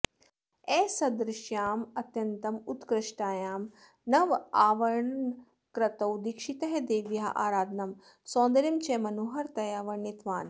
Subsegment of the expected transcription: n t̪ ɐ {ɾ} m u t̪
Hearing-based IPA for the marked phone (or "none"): none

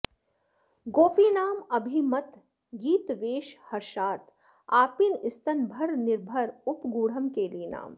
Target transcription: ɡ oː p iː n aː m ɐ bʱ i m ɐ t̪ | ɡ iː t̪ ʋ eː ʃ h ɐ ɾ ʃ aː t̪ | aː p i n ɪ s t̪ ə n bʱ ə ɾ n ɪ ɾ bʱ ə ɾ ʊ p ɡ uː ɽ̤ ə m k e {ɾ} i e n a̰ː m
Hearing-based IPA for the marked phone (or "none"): l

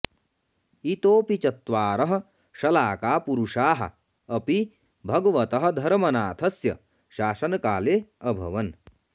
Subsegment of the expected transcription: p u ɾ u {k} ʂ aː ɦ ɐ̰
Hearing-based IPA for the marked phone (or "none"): none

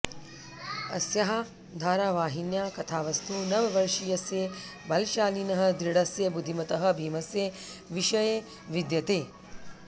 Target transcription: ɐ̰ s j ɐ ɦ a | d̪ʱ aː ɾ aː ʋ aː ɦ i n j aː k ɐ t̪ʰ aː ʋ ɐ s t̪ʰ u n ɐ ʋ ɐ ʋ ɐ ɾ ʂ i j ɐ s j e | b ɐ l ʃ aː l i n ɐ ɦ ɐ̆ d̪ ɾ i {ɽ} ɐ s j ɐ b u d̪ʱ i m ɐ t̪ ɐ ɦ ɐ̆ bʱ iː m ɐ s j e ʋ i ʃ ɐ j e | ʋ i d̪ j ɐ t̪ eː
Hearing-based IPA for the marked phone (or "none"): ɽ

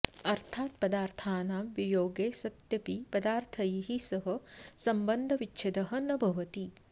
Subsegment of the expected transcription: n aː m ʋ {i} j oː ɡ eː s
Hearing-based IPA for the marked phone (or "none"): i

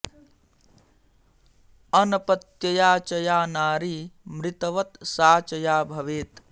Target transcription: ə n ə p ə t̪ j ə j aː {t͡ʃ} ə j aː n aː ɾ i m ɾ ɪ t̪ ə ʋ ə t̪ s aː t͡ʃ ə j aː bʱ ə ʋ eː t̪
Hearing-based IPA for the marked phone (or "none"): t͡ʃ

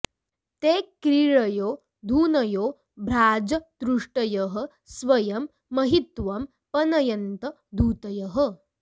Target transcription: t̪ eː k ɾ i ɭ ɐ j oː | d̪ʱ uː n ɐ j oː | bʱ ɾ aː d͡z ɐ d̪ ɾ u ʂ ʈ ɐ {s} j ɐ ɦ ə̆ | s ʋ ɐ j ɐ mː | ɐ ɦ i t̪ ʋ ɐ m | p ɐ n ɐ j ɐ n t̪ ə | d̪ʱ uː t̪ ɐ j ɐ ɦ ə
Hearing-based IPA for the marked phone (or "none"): none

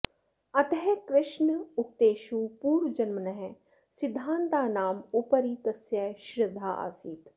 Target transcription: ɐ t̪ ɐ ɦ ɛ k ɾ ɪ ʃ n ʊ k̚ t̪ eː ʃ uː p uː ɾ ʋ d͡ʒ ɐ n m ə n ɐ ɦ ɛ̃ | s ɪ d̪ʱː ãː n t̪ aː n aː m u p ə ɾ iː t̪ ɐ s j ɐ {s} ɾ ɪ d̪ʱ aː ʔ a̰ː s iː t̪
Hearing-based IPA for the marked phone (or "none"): ʃ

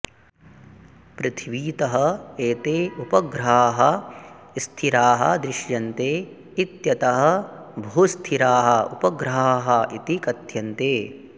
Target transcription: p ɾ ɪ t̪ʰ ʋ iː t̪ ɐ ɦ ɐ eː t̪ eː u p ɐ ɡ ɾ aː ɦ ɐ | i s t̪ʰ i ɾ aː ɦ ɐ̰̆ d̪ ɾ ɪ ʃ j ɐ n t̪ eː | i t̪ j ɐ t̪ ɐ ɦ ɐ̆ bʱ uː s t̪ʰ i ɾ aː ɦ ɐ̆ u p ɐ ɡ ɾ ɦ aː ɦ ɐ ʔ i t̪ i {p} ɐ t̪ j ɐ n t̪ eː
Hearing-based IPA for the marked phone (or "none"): k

